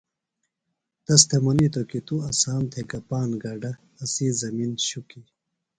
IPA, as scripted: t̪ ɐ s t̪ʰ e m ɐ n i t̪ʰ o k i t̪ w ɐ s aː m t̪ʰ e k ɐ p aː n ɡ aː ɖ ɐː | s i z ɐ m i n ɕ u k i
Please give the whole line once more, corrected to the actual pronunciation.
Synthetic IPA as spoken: t̪ ɐ s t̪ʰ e m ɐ n i t̪ o k i t̪ u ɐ s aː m t̪ʰ e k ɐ p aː n ɡ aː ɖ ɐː | s i z ɐ m i n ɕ u k i